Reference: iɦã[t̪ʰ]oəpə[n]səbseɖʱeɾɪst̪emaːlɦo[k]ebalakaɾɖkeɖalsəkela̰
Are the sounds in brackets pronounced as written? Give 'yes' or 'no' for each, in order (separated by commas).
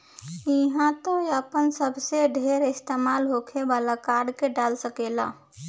no, yes, no